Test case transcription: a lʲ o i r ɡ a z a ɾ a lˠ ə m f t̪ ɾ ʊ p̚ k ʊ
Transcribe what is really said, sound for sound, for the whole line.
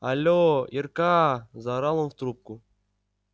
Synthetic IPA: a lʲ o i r k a z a ɾ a lˠ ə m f t̪ ɾ u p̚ k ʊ